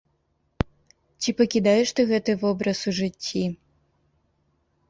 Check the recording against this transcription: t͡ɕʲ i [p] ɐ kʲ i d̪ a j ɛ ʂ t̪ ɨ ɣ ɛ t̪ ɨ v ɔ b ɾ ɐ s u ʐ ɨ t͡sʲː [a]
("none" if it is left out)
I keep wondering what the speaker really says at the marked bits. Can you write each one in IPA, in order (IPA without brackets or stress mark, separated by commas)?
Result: p, i